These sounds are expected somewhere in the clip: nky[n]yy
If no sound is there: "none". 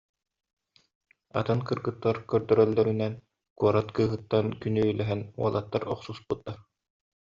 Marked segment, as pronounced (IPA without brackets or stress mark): n